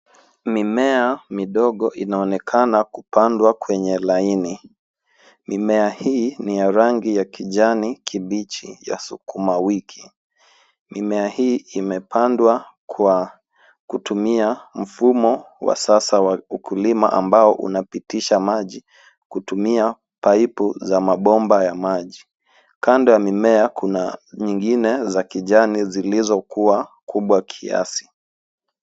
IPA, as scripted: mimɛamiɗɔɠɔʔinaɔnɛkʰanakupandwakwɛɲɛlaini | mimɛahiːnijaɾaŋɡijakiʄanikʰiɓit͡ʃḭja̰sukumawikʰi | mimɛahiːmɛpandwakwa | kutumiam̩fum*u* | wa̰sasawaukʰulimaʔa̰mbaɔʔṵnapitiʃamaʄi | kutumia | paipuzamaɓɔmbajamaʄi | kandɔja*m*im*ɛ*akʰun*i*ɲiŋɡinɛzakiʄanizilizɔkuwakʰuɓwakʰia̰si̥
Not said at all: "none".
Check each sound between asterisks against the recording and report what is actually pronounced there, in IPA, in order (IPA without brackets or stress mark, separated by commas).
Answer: ɔ, m, ɛ, a